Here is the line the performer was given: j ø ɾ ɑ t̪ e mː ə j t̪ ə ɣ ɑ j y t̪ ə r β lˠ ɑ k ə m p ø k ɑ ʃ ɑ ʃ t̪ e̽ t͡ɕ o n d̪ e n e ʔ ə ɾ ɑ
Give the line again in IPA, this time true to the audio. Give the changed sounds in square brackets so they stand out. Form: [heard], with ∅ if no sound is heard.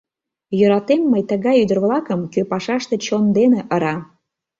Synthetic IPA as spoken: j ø ɾ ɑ t̪ e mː ə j t̪ ə ɣ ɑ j y [d̪] ə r β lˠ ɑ k ə m [k] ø [p] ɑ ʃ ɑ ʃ t̪ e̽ t͡ɕ o n d̪ e n e ʔ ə ɾ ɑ